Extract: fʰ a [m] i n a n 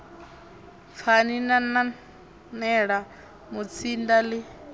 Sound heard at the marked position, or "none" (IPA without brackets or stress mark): n